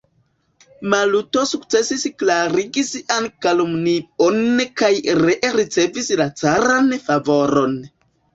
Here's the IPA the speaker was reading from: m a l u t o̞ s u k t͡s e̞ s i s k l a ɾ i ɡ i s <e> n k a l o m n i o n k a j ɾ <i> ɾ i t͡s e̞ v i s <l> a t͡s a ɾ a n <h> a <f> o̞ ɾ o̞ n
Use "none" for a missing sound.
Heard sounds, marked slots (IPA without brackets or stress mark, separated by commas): a, e, l, f, v